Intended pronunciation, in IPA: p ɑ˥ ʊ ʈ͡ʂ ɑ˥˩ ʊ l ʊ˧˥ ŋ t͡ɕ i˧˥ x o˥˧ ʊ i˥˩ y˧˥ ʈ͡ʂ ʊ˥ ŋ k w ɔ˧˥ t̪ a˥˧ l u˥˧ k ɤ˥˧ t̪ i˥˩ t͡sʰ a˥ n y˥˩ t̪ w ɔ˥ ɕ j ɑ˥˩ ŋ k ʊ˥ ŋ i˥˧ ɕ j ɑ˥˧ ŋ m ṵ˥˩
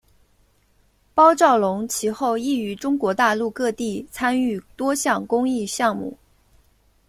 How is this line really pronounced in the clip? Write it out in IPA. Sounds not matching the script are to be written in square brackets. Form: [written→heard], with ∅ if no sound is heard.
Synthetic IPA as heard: p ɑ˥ ʊ ʈ͡ʂ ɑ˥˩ ʊ l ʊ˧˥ ŋ [t͡ɕ→t͡ɕʰ] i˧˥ x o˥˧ ʊ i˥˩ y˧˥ ʈ͡ʂ ʊ˥ ŋ k w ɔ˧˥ t̪ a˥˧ l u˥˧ k ɤ˥˧ t̪ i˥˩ t͡sʰ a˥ n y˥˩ t̪ w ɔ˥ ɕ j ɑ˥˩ ŋ k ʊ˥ ŋ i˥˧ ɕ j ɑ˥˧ ŋ m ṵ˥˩